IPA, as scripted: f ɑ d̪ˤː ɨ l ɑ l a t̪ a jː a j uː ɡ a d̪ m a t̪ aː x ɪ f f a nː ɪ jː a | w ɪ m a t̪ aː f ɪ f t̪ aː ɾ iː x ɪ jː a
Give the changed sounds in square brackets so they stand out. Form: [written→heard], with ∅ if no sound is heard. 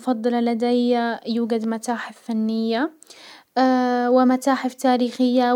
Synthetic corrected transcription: f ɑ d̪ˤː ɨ l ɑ l a [t̪→d̪] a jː a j uː ɡ a d̪ m a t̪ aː [x→ħ] ɪ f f a nː ɪ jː a | w ɪ m a t̪ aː [f→ħ] ɪ f t̪ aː ɾ iː x ɪ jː a